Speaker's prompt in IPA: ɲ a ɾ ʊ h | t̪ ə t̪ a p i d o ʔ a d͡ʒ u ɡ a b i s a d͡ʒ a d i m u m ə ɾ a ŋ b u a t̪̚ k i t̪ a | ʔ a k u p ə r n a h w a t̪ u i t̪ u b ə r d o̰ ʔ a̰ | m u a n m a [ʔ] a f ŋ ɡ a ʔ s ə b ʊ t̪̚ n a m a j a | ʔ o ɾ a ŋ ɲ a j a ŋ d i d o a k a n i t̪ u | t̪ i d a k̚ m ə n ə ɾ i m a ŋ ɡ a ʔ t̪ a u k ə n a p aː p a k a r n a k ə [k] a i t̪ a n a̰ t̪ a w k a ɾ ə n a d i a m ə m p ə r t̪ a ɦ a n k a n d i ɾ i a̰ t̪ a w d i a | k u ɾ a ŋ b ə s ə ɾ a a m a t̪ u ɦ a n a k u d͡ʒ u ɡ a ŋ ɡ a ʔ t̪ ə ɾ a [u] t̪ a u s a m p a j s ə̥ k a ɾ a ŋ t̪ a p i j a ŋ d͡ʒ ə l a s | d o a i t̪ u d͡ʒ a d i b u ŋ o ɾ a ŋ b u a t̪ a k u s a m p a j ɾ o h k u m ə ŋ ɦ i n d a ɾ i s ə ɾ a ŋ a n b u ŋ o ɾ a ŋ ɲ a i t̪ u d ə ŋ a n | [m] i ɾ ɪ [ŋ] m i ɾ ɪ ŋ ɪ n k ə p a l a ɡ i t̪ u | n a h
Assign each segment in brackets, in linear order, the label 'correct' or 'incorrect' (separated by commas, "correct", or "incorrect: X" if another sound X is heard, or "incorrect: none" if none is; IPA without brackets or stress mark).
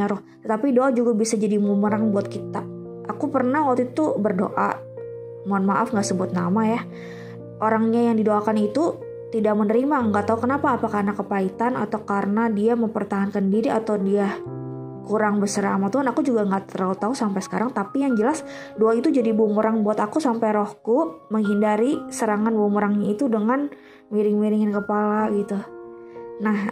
correct, incorrect: p, correct, correct, correct